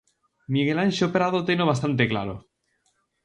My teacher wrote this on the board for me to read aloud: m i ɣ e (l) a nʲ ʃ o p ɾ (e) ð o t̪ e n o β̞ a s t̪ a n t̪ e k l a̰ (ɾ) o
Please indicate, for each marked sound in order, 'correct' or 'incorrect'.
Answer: correct, incorrect: a, correct

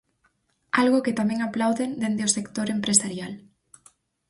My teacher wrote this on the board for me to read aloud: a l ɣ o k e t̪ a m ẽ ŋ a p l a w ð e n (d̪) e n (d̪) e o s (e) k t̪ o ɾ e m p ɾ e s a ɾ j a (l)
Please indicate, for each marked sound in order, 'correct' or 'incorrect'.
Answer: correct, correct, correct, correct

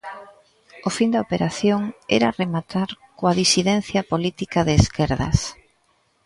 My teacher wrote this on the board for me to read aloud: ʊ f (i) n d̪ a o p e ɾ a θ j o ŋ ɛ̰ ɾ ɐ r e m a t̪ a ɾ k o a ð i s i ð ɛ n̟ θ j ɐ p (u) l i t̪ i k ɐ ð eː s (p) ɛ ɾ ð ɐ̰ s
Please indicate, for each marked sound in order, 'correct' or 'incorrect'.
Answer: correct, incorrect: o, incorrect: k

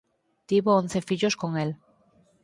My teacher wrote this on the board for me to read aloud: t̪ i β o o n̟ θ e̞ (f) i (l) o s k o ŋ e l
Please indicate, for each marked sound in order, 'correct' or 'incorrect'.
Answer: correct, incorrect: ʎ

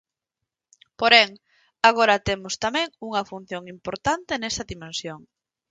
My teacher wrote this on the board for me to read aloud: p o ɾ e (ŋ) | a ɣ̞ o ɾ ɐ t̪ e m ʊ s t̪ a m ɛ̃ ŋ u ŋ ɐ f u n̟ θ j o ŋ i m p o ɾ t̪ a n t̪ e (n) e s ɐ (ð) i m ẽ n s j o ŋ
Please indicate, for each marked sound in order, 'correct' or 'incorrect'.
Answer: correct, correct, correct

